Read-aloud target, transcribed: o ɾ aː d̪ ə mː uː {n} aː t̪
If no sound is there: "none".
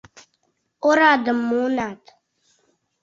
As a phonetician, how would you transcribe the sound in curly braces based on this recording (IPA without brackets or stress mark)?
n